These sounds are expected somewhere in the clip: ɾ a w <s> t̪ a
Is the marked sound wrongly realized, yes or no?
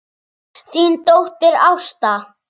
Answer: no